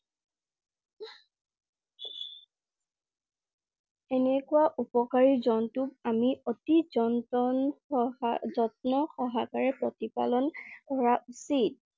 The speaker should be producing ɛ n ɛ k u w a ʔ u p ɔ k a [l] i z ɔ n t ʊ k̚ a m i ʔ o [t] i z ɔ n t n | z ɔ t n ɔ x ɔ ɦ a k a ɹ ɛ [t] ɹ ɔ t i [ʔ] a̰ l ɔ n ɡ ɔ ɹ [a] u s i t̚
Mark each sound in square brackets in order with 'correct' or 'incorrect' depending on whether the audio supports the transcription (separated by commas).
incorrect, correct, incorrect, incorrect, correct